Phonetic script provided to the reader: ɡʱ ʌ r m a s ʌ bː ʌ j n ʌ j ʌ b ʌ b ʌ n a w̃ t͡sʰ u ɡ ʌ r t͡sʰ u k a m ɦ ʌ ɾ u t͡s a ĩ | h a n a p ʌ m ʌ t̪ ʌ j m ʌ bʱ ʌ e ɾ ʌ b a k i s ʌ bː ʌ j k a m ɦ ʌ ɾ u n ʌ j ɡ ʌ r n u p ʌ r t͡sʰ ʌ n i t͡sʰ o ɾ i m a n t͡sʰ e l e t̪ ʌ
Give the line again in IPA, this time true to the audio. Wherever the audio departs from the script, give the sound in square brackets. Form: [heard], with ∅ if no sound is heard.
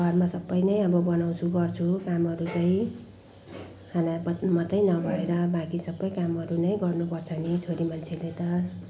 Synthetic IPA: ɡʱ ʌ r m a s ʌ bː ʌ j n ʌ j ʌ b ʌ b ʌ n a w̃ t͡sʰ u ɡ ʌ r t͡sʰ u k a m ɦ ʌ ɾ u t͡s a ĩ | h a n a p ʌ m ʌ t̪ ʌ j [n] ʌ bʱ ʌ e ɾ ʌ b a k i s ʌ bː ʌ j k a m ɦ ʌ ɾ u n ʌ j ɡ ʌ r n u p ʌ r t͡sʰ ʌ n i t͡sʰ o ɾ i m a n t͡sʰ e l e t̪ ʌ